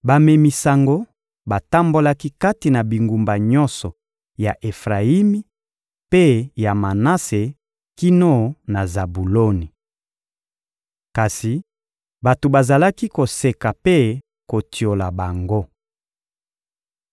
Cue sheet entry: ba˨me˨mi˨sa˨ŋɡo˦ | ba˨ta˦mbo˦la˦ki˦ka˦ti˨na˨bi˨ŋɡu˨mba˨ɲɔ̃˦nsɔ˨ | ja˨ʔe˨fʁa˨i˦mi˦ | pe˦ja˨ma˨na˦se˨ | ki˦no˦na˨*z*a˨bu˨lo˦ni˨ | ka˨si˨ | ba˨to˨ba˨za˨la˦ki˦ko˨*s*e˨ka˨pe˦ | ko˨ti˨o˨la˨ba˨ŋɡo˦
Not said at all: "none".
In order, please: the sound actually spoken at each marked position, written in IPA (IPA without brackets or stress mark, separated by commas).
z, s